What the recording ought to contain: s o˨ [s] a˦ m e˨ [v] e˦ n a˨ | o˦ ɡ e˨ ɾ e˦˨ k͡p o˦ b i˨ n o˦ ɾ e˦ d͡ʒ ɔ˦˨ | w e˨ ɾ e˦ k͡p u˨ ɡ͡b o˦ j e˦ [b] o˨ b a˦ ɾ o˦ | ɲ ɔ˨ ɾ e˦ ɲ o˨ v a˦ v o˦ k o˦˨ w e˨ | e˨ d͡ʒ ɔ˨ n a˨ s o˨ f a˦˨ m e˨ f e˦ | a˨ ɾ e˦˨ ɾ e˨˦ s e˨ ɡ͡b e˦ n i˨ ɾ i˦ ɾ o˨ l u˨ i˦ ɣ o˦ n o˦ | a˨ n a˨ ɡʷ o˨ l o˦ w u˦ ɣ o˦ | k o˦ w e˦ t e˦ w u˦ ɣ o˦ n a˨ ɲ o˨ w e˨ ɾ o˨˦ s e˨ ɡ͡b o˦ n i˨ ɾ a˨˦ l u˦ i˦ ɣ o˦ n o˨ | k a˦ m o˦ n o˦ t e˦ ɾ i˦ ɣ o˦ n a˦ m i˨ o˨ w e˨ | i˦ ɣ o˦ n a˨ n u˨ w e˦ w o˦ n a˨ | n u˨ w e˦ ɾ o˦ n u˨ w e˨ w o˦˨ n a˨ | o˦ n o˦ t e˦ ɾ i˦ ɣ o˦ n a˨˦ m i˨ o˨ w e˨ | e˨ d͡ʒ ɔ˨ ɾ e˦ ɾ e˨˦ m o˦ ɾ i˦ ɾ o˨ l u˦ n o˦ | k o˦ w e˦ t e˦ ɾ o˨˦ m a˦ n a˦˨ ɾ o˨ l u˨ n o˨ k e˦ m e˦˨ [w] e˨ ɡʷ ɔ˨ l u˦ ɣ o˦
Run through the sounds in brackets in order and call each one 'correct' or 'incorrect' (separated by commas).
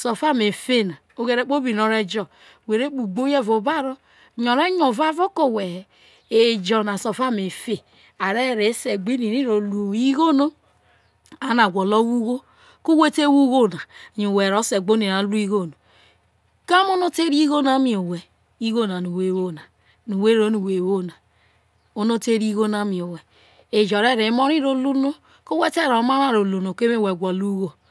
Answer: incorrect, incorrect, incorrect, correct